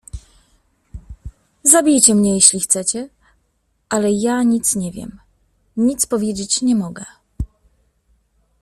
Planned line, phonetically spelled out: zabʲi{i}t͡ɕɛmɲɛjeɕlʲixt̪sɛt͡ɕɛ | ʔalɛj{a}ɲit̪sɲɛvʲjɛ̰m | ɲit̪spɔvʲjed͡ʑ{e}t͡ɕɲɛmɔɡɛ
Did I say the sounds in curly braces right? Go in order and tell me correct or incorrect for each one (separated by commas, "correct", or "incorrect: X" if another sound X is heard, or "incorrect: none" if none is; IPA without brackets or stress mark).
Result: incorrect: j, correct, correct